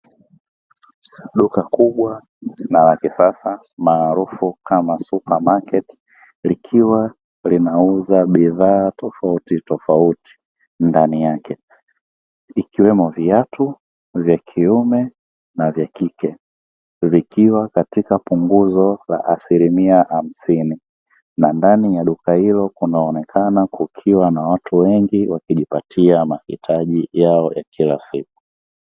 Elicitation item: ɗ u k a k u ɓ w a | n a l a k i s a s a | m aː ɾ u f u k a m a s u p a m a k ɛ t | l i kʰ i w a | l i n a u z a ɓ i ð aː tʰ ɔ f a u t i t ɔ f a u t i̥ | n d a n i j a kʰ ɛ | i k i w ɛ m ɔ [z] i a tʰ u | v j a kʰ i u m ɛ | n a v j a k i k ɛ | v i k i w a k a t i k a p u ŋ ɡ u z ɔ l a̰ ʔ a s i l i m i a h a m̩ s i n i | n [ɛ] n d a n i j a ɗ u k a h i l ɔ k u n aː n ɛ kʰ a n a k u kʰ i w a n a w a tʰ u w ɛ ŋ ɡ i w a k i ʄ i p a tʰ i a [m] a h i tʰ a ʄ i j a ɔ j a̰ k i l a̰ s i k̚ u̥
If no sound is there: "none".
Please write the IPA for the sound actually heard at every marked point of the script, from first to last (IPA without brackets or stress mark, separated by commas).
v, a, m